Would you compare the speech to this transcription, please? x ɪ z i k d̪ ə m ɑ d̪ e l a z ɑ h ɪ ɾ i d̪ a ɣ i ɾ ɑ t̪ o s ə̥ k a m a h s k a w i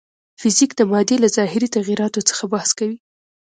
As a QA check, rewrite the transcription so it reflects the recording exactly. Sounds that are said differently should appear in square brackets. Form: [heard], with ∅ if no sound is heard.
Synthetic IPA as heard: [f] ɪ z i k d̪ ə m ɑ d̪ e l a z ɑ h ɪ ɾ i [t̪] a ɣ i ɾ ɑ t̪ o [t͡s] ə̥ [x] a [b] a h s k a w i